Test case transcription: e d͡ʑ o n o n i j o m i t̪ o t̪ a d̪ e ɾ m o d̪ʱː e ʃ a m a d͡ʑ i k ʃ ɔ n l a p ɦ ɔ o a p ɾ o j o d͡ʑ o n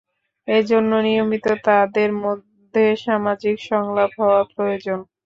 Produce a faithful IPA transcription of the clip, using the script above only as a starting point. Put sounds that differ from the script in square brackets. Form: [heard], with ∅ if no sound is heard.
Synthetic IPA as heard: e d͡ʑ o [nː] o n i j o m i t̪ o t̪ a d̪ e ɾ m o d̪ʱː e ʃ a m a d͡ʑ i k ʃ ɔ [ŋ] l a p ɦ ɔ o a p ɾ o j o d͡ʑ o n